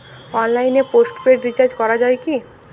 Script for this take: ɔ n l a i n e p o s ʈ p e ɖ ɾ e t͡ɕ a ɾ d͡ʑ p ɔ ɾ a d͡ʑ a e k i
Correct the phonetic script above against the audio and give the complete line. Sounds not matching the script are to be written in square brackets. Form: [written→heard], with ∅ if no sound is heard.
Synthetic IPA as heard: ɔ n l a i n e p o s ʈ p e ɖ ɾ [e→i] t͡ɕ a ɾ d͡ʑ [p→k] ɔ ɾ a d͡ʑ a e k i